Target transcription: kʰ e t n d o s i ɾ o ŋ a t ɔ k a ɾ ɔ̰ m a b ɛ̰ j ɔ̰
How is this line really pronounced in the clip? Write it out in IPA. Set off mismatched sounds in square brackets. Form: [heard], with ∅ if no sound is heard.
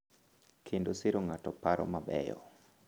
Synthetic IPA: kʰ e [∅] n d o s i ɾ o ŋ a t ɔ [p] a ɾ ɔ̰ m a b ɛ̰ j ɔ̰

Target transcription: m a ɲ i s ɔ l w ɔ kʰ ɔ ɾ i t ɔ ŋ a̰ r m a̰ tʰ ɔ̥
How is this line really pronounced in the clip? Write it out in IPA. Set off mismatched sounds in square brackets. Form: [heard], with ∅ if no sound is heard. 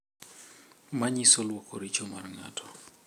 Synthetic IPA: m a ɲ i s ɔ l w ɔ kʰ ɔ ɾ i [t͡ʃ] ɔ [m] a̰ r [ŋ] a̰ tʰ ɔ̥

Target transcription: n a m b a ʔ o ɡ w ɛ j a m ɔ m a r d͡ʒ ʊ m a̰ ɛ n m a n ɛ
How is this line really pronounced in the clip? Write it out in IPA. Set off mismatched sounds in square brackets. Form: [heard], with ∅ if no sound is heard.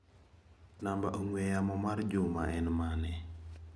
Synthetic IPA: n a m b a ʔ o [ŋ] w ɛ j a m ɔ m a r d͡ʒ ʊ m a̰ ɛ n m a n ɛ

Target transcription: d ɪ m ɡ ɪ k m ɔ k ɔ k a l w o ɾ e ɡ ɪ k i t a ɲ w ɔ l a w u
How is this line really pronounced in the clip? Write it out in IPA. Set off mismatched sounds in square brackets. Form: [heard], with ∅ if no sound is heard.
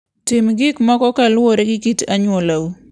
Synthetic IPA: [t] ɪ m ɡ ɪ k m ɔ k ɔ k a l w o ɾ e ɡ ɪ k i t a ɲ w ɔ l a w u

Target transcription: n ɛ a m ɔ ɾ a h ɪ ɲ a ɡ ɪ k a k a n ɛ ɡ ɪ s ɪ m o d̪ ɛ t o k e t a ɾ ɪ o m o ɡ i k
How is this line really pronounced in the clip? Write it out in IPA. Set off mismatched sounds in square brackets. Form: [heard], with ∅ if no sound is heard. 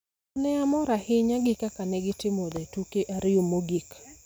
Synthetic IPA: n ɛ a m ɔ ɾ a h ɪ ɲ a ɡ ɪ k a k a n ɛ ɡ ɪ [t] ɪ m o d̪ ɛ t [u] k e [ʔ] a ɾ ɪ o m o ɡ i k

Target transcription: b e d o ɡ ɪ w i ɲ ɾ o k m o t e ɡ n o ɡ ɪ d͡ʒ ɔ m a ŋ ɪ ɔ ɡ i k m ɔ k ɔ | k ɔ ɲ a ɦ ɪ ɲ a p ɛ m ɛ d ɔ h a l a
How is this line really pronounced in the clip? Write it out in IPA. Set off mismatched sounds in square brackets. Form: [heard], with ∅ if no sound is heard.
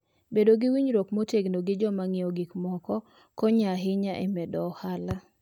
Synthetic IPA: b e d o ɡ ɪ w i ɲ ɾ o k m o t e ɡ n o ɡ ɪ d͡ʒ ɔ m a ŋ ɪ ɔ ɡ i k m ɔ k ɔ | k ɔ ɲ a ɦ ɪ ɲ a [ʔ] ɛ m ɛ d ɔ h a l a

